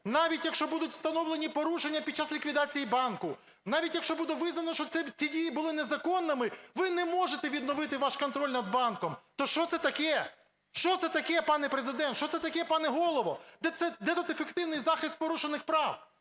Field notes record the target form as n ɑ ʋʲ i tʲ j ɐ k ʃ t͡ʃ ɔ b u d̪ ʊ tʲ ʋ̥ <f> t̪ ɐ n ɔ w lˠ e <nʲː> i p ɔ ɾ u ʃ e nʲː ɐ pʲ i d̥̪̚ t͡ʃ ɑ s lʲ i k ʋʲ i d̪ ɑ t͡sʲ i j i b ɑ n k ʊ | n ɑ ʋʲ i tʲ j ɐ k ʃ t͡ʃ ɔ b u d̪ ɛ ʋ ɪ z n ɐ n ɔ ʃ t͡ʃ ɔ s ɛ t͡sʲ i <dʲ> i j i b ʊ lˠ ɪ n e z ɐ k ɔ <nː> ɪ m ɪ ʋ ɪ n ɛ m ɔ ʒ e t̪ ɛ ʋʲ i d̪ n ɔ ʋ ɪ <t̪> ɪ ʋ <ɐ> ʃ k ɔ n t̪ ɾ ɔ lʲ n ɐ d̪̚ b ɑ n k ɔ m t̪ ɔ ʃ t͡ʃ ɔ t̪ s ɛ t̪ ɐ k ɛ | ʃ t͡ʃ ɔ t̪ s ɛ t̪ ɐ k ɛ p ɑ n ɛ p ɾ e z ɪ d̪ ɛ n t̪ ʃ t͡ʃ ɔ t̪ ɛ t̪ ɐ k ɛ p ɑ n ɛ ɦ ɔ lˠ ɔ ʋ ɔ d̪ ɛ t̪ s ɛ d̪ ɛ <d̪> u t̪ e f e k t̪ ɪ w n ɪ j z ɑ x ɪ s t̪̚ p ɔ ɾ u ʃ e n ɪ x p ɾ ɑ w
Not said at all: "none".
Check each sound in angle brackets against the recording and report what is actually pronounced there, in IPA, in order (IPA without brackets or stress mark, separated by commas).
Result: s, nʲ, dʲ, nː, t̪, ɑ, t̪